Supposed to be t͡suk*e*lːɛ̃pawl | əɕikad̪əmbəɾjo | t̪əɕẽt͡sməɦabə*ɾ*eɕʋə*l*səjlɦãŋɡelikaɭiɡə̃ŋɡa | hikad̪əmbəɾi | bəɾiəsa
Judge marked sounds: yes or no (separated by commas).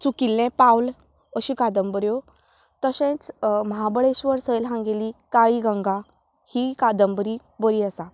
no, no, no